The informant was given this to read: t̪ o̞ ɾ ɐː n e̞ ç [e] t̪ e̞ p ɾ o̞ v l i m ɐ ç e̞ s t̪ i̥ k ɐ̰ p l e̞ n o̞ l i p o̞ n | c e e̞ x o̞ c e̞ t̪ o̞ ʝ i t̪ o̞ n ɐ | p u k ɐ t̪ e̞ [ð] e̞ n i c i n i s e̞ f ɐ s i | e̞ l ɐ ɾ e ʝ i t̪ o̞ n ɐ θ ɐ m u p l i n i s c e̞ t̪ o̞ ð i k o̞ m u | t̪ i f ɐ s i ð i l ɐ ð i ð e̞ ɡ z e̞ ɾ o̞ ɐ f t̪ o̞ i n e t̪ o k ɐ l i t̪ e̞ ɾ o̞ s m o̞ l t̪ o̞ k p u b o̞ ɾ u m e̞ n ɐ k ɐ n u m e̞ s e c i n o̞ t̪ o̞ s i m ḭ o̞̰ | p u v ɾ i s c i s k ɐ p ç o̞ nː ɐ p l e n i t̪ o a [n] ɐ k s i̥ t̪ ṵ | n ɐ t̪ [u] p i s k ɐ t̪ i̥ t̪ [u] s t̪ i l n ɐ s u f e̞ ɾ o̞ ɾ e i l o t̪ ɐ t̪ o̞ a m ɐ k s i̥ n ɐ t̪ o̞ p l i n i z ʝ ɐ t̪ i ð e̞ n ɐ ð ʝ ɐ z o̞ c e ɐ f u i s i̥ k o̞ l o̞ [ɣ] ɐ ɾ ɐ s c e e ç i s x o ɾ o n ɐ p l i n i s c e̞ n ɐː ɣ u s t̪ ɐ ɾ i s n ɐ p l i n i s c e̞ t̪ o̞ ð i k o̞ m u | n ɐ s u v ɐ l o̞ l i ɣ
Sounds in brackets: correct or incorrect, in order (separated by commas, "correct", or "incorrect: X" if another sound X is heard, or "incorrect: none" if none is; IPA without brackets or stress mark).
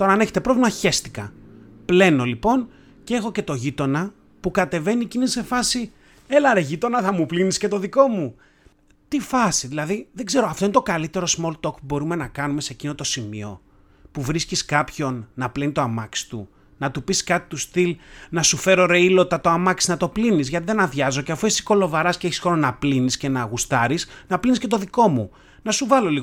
correct, incorrect: v, incorrect: m, correct, correct, incorrect: v